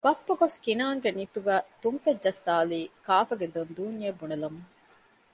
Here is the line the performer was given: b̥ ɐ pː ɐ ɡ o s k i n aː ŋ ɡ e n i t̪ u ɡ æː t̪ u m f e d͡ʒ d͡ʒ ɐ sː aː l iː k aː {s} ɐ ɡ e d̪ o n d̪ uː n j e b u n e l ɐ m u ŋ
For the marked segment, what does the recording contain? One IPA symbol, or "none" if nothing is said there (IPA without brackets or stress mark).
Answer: f